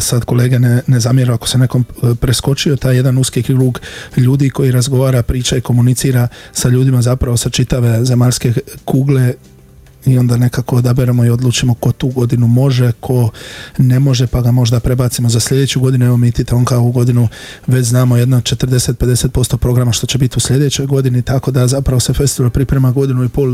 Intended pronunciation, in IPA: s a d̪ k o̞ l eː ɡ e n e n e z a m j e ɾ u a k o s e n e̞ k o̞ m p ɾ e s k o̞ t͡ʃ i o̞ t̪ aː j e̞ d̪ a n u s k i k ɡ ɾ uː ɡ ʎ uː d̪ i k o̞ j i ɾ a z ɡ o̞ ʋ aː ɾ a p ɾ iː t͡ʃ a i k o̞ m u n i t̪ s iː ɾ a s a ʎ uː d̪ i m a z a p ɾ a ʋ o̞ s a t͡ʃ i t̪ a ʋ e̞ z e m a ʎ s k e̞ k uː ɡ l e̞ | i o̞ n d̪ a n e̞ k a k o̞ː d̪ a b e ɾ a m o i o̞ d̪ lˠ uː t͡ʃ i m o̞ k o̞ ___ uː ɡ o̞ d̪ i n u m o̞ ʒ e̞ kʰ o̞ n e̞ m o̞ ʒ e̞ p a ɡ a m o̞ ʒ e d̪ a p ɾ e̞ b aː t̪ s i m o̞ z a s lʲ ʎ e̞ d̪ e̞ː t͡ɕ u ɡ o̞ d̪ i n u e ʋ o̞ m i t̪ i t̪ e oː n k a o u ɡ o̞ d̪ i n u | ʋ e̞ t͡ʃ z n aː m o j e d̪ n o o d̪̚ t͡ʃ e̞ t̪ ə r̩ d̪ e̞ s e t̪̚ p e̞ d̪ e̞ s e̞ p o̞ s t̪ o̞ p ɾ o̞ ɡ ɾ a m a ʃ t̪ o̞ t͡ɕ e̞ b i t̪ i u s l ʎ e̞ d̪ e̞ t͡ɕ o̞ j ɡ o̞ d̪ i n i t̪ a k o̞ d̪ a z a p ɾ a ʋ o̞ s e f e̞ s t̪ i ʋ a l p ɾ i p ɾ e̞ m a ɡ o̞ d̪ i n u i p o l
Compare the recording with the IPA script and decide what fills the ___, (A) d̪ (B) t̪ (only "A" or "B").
B